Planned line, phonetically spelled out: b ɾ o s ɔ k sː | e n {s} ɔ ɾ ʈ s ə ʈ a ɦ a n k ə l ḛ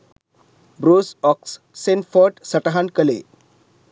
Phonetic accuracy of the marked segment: incorrect: f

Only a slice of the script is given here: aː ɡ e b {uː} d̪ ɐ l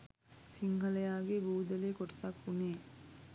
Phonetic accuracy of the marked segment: correct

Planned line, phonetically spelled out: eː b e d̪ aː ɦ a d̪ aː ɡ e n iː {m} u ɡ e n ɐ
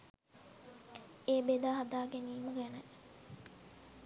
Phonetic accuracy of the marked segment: correct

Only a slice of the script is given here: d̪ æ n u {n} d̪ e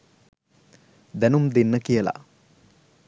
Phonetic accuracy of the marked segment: incorrect: m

